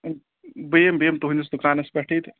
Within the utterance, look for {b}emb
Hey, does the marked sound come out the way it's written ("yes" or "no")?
yes